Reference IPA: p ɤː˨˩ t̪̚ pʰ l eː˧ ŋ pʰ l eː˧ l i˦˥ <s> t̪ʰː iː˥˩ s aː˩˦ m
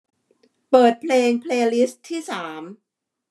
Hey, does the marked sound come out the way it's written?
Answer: yes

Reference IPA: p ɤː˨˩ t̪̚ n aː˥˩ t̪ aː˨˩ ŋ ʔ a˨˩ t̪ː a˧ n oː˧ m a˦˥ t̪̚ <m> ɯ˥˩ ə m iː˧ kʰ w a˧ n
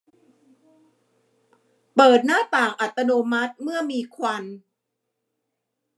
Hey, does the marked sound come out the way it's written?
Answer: yes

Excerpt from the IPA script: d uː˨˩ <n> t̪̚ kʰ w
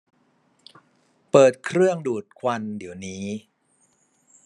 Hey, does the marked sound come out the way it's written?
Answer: no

